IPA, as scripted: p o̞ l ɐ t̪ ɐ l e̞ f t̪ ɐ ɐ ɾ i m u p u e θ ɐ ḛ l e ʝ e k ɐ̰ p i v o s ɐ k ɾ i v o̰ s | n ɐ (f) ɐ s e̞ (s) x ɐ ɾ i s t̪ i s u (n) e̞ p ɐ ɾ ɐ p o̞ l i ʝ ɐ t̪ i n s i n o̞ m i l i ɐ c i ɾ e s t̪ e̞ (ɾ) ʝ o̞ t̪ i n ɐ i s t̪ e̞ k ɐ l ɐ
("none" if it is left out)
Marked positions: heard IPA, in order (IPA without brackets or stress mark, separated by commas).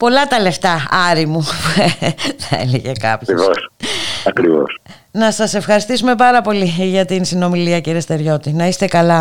s, f, m, ɾ